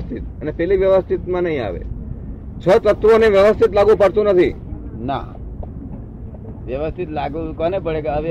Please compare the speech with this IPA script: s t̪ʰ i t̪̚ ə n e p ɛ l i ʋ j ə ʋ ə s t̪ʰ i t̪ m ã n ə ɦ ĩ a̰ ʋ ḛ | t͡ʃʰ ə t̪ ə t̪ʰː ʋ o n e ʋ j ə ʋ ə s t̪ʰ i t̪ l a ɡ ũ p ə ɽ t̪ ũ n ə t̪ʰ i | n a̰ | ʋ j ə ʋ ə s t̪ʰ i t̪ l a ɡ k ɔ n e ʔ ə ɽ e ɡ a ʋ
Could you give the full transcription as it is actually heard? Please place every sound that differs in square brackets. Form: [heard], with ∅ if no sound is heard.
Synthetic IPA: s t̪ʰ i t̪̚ ə n e p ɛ l i ʋ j ə ʋ ə s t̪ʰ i t̪ m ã n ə ɦ ĩ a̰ ʋ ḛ | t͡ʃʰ ə t̪ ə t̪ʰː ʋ o n e ʋ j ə ʋ ə s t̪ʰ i t̪ l a ɡ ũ p ə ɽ t̪ ũ n ə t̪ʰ i | n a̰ | ʋ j ə ʋ ə s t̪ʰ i t̪ l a ɡ k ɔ n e [p] ə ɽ e ɡ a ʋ